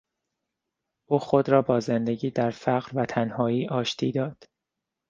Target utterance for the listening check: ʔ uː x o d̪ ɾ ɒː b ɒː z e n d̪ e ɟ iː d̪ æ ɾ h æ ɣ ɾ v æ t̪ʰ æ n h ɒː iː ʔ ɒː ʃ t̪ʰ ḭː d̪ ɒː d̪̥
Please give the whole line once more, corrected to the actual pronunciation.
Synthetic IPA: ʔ uː x o d̪ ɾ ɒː b ɒː z e n d̪ e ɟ iː d̪ æ ɾ f æ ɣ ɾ v æ t̪ʰ æ n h ɒː iː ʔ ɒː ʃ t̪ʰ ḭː d̪ ɒː d̪̥